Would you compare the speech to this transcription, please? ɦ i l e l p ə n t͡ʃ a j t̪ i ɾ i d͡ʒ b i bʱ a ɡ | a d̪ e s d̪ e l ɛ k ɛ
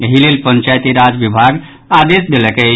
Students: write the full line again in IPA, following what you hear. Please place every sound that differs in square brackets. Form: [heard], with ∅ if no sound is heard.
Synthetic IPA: ɦ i l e l p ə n t͡ʃ a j t̪ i ɾ [a] d͡ʒ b i bʱ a ɡ | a d̪ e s d̪ e l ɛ k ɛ

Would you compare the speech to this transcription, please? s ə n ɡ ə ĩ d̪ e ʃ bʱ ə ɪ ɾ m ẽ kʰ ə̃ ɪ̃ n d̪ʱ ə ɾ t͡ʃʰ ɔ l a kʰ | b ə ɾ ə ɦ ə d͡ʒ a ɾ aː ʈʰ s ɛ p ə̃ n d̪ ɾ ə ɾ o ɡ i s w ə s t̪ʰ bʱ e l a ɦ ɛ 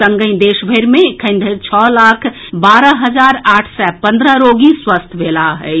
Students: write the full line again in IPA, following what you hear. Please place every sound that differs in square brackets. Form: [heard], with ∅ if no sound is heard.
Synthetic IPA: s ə [ŋ] ɡ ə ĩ d̪ e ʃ bʱ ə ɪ ɾ m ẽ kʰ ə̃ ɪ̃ n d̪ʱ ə ɾ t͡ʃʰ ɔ l a kʰ | b [a] ɾ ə ɦ ə d͡ʒ a ɾ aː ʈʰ s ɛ p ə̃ n d̪ ɾ ə ɾ o ɡ i s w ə s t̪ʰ bʱ e l a ɦ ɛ

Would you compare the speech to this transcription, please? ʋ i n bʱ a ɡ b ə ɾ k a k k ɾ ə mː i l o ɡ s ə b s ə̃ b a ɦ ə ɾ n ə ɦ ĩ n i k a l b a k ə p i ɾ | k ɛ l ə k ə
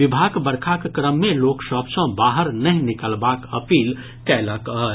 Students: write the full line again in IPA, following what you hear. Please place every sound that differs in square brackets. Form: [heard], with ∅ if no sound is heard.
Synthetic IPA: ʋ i [∅] bʱ a ɡ b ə ɾ [kʰ] a k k ɾ ə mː [e] l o [k] s ə b s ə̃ b a ɦ ə ɾ n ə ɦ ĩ n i k [ə] l b a k ə p i [l] | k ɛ l ə k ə

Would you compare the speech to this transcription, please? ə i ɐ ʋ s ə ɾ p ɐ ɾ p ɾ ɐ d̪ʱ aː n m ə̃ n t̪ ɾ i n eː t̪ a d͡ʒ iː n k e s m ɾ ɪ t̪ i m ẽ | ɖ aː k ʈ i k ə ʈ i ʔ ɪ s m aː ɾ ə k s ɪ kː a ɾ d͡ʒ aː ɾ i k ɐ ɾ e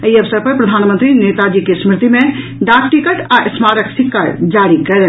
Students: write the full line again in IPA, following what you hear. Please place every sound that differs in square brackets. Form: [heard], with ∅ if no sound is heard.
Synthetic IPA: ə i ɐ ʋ s ə ɾ p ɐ ɾ p ɾ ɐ d̪ʱ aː n m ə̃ n t̪ ɾ i n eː t̪ a d͡ʒ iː [∅] k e s m ɾ ɪ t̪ i m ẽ | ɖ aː k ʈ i k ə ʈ [a] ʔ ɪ s m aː ɾ ə k s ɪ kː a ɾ d͡ʒ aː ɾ i k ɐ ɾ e

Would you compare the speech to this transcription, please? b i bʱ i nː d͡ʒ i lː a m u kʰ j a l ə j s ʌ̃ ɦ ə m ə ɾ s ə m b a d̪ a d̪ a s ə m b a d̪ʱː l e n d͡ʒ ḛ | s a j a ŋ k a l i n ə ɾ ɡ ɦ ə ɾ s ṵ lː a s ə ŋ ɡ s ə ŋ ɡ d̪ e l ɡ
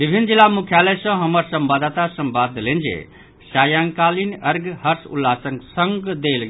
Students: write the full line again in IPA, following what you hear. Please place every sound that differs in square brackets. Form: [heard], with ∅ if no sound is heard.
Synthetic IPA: b i bʱ i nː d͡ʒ i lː a m u kʰ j a l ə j s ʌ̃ ɦ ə m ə ɾ s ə m b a d̪ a [t̪] a s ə m b a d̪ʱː l e n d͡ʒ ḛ | s a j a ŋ k a l i n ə ɾ ɡ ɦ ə ɾ s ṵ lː a s ə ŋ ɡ s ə ŋ ɡ d̪ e l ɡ

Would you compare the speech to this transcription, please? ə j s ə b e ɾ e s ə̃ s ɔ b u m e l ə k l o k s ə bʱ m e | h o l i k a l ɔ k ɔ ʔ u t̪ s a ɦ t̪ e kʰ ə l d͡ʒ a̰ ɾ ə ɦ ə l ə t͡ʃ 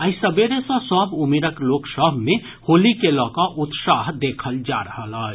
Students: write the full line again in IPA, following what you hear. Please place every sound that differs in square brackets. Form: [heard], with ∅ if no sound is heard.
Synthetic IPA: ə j s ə b e ɾ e s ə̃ s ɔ b u m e [ɾ] ə k l o k s ə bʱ m e | h o l i k [e] l ɔ k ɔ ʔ u t̪ s a ɦ [d̪] e kʰ ə l d͡ʒ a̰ ɾ ə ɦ ə l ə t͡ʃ

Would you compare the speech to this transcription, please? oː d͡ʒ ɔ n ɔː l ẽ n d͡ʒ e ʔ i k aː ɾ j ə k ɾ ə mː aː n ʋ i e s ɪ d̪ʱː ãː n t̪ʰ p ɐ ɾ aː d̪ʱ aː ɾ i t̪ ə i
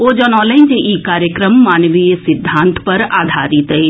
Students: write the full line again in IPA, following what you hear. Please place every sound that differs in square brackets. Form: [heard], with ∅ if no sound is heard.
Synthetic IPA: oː d͡ʒ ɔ n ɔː l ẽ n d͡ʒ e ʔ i k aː ɾ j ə k ɾ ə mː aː n ʋ i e s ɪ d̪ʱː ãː n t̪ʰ p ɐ ɾ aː d̪ʱ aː ɾ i t̪ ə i

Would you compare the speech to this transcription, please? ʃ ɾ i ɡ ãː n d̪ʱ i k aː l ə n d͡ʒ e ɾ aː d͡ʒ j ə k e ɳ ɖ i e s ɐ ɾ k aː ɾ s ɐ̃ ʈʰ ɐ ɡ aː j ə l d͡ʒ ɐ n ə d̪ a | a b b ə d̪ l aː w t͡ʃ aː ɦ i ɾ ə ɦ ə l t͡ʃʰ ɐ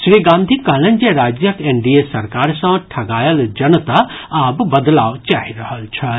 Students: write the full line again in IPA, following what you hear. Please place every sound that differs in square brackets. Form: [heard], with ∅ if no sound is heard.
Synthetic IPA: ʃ ɾ i ɡ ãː n d̪ʱ i k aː l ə n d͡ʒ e ɾ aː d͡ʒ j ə k e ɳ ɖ i e s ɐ ɾ k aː ɾ s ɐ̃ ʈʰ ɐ ɡ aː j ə l d͡ʒ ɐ n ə [t̪] a | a b b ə d̪ l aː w t͡ʃ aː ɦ i ɾ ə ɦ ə l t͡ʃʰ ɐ

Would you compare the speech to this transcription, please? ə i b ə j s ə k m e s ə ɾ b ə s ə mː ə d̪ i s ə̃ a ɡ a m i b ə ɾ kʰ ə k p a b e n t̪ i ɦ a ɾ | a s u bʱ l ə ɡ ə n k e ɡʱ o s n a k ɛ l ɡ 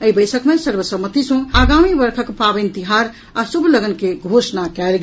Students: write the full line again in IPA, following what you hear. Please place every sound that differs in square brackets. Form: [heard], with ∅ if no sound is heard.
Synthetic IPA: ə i b ə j s ə k m e s ə ɾ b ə s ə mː ə [t̪] i s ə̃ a ɡ a m i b ə ɾ kʰ ə k p a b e n t̪ i ɦ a ɾ | a s u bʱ l ə ɡ ə n k e ɡʱ o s n a k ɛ l ɡ

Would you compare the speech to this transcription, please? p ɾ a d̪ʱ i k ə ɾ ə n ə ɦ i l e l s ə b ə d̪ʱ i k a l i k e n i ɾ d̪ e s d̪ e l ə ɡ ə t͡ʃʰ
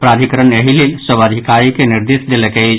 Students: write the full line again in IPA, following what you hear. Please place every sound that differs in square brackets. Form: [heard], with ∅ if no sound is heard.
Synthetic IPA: p ɾ a d̪ʱ i k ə ɾ ə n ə ɦ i l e l s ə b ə d̪ʱ i k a [ɾ] i k e n i ɾ d̪ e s d̪ e l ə [k] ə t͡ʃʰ

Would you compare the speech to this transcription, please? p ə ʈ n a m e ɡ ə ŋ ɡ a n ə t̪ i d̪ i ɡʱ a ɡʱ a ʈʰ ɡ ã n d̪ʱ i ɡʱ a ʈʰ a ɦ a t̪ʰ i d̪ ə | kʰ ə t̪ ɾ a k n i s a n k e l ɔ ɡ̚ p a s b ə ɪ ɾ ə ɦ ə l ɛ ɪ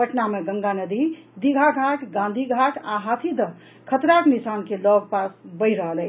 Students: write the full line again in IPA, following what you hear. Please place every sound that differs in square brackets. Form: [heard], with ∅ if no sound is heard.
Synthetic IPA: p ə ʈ n a m e ɡ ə ŋ ɡ a n ə [d̪] i d̪ i ɡʱ a ɡʱ a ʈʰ ɡ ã n d̪ʱ i ɡʱ a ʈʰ a ɦ a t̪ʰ i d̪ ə | kʰ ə t̪ ɾ a k n i s a n k e l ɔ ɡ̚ p a s b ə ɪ ɾ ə ɦ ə l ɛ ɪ

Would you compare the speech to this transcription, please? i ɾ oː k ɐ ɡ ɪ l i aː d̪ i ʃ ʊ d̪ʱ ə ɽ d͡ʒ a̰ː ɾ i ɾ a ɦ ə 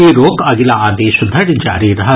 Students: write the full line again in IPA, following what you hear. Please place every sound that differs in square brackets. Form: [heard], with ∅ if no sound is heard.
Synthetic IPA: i ɾ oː k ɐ ɡ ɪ l [a] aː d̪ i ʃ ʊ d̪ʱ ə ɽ d͡ʒ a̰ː ɾ i ɾ [ɐ] ɦ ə

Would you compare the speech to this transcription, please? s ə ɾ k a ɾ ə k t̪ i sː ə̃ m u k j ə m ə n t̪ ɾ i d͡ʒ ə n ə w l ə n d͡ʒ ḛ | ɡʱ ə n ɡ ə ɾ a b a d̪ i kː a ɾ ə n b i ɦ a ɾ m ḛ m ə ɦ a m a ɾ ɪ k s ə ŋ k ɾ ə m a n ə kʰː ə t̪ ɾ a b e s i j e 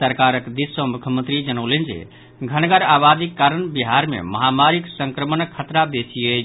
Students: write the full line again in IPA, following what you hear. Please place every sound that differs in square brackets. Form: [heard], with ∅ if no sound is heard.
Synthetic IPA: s ə ɾ k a ɾ ə k [d̪] i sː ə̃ m u [kʰ] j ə m ə n t̪ ɾ i d͡ʒ ə n ə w l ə n d͡ʒ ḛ | ɡʱ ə n ɡ ə ɾ a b a d̪ i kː a ɾ ə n b i ɦ a ɾ m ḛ m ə ɦ a m a ɾ [i] k s ə ŋ k ɾ ə m [ə] n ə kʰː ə t̪ ɾ a b e s i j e

